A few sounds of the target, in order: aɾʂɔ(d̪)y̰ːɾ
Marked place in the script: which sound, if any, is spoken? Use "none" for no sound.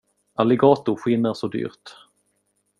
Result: d̪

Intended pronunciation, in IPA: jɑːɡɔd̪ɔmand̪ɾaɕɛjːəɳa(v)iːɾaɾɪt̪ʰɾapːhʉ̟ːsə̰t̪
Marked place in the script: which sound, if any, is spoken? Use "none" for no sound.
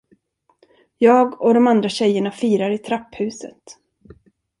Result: f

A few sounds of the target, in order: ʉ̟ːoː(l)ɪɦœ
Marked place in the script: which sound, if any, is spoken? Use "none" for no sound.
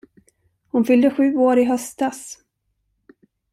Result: ɾ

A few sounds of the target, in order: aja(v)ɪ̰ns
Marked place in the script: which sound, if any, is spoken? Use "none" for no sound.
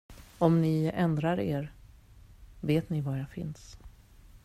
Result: f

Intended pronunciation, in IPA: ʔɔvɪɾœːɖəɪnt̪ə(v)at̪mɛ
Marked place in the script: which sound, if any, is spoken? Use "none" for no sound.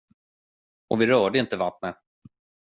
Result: v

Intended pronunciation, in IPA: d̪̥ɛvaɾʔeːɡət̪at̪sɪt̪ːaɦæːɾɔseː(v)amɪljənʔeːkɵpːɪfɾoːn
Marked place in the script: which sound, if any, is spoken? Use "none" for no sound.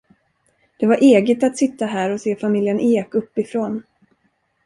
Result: f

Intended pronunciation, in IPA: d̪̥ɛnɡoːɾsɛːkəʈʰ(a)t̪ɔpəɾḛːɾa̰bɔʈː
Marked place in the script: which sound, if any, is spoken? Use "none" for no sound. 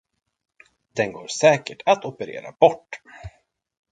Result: a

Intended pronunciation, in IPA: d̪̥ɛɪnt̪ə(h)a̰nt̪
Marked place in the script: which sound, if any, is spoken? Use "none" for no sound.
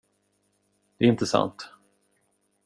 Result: s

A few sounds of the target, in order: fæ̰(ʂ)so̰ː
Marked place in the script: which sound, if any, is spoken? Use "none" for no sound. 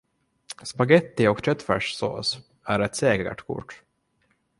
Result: ʂ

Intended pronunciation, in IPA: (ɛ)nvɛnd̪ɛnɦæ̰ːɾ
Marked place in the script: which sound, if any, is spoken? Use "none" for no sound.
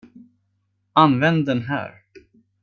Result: a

